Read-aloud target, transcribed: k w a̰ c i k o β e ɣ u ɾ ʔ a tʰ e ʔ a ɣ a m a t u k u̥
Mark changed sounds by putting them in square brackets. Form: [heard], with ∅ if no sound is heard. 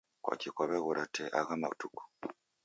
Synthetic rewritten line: k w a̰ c i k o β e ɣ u ɾ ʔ a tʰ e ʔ a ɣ a m a t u k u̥